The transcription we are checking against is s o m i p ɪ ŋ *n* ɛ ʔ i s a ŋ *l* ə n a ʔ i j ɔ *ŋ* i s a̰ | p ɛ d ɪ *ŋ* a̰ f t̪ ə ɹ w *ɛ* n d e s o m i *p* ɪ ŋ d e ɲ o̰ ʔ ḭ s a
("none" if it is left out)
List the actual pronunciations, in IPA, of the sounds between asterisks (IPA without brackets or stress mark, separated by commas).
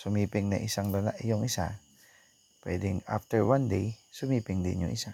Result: n, l, ŋ, ŋ, a, p